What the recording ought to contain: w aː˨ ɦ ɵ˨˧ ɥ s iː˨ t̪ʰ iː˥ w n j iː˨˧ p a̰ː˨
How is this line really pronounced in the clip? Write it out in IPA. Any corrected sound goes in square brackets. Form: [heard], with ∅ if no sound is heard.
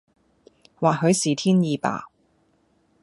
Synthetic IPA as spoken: w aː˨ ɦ ɵ˨˧ ɥ s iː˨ t̪ʰ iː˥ [∅] n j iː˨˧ p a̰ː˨